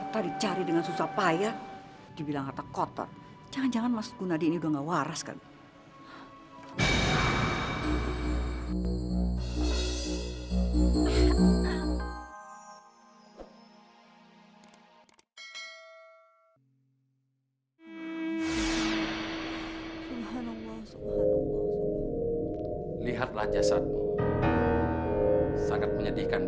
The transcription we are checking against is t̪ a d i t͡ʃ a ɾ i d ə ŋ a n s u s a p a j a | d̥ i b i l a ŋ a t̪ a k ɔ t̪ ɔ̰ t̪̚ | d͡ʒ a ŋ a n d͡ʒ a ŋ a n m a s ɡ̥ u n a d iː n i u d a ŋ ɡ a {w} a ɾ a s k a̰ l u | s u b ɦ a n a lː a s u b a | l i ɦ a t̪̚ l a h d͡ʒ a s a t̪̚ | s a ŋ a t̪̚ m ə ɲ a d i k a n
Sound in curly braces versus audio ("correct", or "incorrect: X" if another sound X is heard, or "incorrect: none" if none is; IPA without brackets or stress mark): correct